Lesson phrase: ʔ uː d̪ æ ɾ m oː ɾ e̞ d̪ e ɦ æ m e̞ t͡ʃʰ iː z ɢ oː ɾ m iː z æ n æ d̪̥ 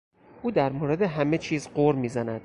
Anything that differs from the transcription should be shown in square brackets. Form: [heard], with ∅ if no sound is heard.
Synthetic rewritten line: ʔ uː d̪ æ ɾ m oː ɾ e̞ d̪ e ɦ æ m e̞ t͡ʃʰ iː z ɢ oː ɾ m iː z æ n æ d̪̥